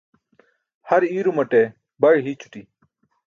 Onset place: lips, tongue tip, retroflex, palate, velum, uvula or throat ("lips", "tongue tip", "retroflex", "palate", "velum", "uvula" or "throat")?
throat